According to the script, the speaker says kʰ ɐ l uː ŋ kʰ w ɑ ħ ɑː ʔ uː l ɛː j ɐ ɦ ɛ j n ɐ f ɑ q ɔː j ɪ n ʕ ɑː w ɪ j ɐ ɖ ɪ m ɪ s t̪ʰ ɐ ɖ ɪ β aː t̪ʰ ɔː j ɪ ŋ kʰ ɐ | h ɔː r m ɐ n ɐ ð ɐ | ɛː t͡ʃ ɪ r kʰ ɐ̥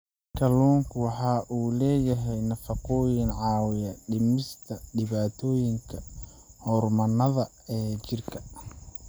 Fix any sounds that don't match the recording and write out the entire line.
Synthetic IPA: kʰ ɐ l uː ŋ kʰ w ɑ ħ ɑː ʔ uː l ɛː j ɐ ɦ ɛ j n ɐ f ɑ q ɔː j ɪ n ʕ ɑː w ɪ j ɐ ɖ ɪ m ɪ s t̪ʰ ɐ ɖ ɪ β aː t̪ʰ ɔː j ɪ ŋ kʰ ɐ | h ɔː r m ɐ n ɐ ð ɐ | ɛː t͡ʃ ɪ r kʰ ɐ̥